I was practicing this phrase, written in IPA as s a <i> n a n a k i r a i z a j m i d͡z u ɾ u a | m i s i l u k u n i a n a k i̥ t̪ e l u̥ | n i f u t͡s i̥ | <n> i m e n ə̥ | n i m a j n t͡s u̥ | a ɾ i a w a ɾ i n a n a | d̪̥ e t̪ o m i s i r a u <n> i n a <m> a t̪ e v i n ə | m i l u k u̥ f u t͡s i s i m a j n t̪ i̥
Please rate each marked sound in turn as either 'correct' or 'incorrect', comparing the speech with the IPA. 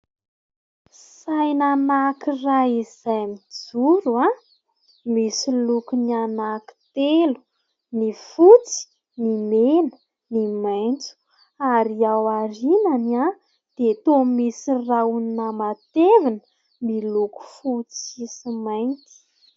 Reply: incorrect: j, correct, correct, correct

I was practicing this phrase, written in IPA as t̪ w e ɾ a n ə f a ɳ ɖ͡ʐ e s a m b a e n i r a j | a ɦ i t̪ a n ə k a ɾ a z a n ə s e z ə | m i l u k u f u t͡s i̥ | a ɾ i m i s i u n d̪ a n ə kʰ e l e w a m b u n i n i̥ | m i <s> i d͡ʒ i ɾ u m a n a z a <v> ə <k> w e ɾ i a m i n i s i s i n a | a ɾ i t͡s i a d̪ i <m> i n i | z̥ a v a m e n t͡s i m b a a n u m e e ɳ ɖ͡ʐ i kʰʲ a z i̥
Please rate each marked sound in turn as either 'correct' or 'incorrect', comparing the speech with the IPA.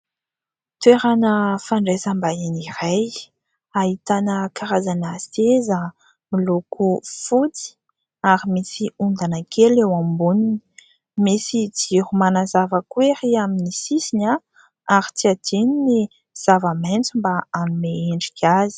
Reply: correct, correct, correct, incorrect: n

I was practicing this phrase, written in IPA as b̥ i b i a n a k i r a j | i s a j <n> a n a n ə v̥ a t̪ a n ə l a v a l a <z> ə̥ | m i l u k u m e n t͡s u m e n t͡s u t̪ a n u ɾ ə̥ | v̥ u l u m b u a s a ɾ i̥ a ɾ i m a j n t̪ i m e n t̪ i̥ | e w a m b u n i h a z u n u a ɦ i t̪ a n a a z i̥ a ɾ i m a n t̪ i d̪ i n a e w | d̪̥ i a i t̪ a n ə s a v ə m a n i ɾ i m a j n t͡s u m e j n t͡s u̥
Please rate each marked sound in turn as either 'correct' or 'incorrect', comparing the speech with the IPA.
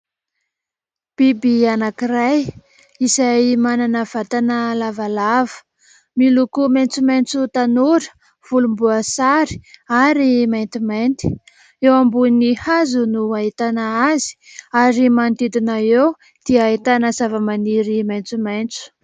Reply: incorrect: m, incorrect: v

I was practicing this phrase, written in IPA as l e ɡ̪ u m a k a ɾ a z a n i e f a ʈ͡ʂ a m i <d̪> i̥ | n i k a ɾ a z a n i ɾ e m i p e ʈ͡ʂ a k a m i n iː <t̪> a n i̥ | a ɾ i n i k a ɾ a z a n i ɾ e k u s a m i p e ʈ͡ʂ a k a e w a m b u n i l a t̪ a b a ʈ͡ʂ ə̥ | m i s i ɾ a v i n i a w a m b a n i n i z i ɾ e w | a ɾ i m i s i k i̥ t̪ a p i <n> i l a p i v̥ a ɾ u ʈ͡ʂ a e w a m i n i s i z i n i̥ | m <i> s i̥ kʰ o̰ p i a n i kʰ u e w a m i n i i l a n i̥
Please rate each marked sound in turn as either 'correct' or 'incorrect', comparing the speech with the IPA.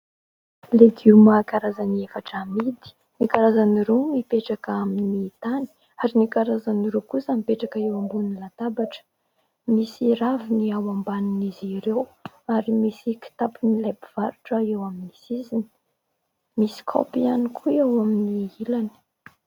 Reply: correct, correct, correct, correct

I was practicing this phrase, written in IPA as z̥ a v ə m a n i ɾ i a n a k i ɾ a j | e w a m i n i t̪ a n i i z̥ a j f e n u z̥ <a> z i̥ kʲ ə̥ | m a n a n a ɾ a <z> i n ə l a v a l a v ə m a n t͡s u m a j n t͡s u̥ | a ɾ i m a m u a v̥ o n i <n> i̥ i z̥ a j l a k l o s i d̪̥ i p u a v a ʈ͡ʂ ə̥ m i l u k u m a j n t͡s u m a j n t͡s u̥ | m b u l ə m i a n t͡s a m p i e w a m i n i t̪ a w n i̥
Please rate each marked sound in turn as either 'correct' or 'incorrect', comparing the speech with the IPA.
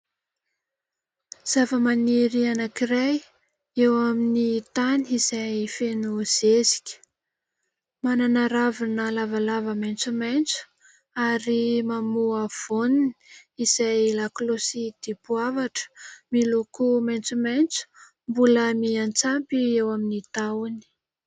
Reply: incorrect: e, incorrect: v, correct

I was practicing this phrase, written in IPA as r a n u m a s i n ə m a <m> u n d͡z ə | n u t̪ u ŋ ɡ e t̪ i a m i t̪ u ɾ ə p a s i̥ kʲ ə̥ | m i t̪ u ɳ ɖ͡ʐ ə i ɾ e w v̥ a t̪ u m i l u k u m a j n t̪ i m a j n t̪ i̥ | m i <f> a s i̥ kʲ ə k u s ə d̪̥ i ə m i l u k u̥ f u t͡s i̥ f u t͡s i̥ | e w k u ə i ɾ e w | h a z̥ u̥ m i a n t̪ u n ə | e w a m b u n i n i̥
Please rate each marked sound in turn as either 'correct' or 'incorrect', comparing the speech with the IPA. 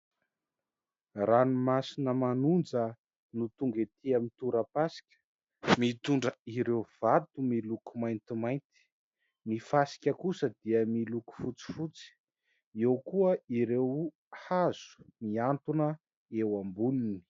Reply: incorrect: n, correct

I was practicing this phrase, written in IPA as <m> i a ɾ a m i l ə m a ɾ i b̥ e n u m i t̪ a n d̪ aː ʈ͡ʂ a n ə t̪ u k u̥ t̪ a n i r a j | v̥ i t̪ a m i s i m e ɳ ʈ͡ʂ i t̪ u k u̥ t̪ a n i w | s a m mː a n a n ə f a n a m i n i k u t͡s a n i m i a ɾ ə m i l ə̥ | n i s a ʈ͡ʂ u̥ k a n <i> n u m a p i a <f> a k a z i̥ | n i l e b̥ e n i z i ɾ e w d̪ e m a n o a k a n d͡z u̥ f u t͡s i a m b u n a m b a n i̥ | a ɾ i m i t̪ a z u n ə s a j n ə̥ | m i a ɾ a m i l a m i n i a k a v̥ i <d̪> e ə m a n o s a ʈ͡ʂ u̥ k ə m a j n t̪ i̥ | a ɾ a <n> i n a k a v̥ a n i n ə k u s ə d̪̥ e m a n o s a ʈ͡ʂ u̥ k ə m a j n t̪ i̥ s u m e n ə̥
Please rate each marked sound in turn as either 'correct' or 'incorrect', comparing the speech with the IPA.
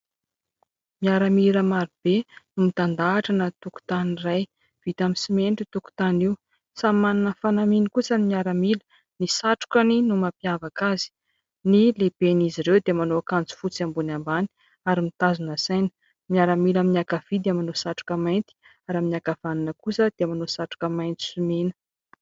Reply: correct, correct, incorrect: v, correct, incorrect: m

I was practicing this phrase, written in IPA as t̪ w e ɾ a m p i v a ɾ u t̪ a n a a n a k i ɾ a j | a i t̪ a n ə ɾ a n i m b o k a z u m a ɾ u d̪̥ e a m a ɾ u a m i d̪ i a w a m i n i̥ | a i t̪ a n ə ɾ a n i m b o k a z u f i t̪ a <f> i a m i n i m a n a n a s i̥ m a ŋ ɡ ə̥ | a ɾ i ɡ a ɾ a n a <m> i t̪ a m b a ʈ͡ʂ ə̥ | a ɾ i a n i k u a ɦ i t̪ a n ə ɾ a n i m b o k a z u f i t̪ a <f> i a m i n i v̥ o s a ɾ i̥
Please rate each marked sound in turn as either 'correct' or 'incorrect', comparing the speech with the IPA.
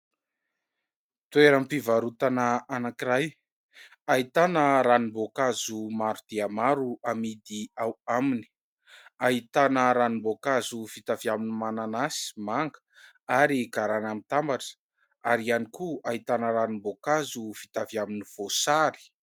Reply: incorrect: v, correct, incorrect: v

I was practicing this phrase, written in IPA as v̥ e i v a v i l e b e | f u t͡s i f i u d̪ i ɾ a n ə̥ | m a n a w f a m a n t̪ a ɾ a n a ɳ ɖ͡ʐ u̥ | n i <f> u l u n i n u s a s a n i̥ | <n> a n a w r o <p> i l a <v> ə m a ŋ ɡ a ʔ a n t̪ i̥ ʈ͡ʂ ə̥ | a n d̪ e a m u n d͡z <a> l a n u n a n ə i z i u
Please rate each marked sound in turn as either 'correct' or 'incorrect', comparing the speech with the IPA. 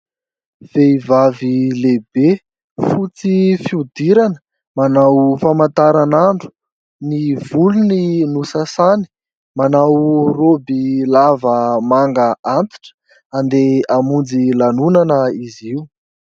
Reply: incorrect: v, incorrect: m, incorrect: b, correct, incorrect: i

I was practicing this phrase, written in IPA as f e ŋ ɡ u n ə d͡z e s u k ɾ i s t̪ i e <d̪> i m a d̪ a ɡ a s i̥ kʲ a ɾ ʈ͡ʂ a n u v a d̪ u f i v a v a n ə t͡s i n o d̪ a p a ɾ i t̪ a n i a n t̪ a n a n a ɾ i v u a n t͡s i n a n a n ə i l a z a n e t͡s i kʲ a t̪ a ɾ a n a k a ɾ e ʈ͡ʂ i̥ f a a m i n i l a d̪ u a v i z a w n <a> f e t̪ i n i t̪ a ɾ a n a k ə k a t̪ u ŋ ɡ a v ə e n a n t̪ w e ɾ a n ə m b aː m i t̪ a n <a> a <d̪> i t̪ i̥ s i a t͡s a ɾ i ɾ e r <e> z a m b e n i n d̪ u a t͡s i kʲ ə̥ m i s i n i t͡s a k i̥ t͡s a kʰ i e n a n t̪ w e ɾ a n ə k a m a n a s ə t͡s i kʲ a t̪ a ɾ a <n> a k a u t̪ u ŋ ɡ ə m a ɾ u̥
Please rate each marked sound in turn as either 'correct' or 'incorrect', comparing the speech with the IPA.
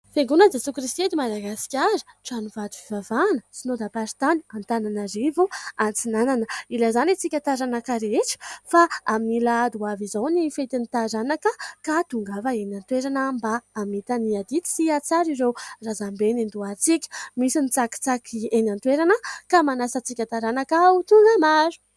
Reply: correct, incorrect: i, incorrect: i, correct, incorrect: a, correct

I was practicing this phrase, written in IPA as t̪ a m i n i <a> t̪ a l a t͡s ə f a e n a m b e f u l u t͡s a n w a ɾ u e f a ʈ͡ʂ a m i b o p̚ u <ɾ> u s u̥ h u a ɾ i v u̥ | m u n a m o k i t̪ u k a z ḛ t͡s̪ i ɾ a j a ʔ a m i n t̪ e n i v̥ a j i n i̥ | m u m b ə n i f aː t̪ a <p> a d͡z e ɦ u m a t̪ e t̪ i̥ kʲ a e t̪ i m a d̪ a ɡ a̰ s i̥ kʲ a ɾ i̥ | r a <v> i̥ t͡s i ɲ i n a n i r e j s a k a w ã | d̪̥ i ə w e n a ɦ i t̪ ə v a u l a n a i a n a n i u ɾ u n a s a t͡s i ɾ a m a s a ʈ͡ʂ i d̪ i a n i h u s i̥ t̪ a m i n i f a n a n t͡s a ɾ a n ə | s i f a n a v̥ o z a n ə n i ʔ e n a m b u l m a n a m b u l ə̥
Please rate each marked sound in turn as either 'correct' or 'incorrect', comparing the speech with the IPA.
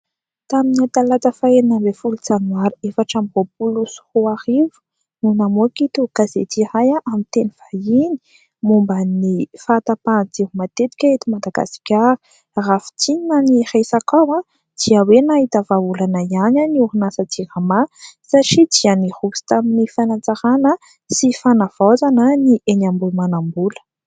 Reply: correct, incorrect: l, correct, incorrect: f

